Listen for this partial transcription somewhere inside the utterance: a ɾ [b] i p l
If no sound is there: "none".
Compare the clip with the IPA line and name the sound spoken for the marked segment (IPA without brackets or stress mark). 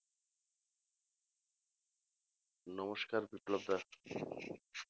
b